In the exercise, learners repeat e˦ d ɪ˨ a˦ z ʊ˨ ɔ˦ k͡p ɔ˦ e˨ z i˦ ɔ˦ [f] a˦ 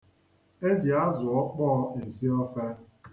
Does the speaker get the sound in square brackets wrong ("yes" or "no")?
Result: no